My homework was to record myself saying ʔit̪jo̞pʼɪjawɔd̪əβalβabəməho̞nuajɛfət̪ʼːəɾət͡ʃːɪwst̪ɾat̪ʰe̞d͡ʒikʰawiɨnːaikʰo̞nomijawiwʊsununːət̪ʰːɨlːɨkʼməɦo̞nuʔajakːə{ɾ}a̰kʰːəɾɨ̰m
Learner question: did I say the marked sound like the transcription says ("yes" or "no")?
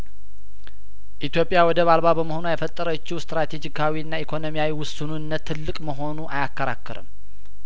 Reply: yes